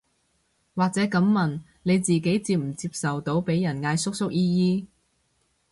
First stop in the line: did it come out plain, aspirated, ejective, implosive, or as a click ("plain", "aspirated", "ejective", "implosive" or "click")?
plain